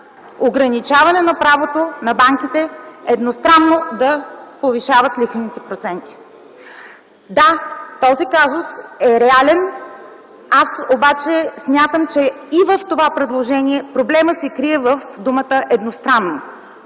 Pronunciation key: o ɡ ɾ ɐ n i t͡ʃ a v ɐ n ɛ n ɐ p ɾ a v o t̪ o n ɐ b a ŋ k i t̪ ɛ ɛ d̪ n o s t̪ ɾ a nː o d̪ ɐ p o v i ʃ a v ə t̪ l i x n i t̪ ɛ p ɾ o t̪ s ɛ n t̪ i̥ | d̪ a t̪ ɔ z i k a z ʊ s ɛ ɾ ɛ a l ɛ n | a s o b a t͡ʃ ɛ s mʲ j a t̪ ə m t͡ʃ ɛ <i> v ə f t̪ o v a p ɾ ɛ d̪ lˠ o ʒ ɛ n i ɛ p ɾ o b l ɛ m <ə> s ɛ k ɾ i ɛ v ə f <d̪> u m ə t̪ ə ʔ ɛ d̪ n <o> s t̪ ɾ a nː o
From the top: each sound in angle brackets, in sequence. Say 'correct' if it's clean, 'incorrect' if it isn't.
correct, correct, correct, correct

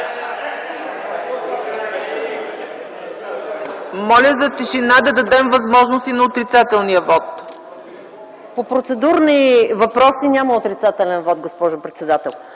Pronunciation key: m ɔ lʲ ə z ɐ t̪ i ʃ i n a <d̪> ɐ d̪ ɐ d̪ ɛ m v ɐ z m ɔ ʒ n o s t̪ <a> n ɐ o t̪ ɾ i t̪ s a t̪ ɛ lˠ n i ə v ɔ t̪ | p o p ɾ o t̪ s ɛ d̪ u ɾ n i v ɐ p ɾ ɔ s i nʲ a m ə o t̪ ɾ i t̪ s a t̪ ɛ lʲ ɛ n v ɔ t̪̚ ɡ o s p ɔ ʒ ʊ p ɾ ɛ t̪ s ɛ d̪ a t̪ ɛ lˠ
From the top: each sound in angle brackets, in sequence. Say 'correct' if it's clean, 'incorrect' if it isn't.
correct, incorrect: i

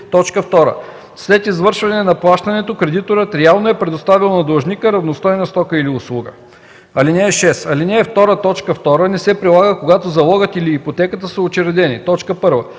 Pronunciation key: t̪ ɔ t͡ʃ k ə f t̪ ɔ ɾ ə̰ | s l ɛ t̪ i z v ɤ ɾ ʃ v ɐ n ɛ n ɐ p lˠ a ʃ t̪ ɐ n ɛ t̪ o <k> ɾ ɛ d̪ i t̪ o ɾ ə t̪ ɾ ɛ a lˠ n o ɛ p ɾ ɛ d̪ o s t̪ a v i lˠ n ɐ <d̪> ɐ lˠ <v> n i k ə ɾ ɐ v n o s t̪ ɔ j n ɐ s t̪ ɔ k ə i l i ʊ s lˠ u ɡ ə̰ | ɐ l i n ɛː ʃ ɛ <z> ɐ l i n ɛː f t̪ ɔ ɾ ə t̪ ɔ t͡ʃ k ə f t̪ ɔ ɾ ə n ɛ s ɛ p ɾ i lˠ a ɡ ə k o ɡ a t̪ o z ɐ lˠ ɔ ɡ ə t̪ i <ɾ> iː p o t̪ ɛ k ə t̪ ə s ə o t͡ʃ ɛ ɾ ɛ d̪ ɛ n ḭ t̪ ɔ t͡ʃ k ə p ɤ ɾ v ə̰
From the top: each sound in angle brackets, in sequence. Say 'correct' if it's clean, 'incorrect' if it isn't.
correct, correct, incorrect: ʒ, incorrect: s, incorrect: l

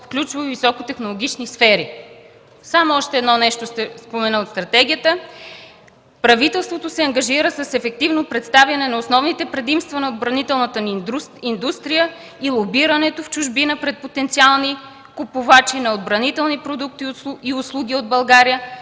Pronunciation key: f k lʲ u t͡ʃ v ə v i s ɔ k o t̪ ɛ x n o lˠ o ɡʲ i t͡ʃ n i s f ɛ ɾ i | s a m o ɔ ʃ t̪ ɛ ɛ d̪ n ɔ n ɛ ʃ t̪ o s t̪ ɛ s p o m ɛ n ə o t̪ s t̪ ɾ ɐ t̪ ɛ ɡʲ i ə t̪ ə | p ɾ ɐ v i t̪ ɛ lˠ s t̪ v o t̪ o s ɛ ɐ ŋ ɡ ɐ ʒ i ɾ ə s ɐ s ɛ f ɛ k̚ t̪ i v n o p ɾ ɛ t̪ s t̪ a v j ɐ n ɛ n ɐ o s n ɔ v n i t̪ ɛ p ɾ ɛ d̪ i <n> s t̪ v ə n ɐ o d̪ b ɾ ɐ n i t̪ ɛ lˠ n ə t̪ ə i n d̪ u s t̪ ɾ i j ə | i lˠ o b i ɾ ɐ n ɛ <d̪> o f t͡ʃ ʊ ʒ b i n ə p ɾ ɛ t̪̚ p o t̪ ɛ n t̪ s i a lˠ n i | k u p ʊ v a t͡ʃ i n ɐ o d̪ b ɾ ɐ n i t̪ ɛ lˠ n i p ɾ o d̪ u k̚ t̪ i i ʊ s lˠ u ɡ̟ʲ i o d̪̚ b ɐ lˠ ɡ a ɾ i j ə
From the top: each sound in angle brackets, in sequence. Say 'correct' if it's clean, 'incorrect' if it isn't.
incorrect: m, incorrect: t̪

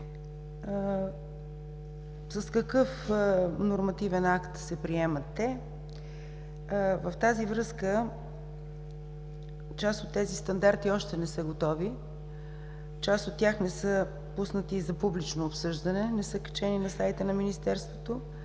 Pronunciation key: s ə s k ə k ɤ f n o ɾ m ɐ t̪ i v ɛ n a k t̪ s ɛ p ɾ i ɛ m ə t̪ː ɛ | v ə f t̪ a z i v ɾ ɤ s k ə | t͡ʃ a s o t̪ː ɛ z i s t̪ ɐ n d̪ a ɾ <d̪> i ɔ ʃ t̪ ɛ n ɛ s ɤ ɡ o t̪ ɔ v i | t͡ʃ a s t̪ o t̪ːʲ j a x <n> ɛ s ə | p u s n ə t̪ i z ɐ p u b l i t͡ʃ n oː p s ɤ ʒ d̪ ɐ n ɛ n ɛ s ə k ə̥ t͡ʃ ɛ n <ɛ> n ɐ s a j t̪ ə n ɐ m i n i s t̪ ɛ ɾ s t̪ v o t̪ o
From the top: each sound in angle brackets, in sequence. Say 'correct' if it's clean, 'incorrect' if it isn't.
incorrect: t̪, correct, incorrect: i

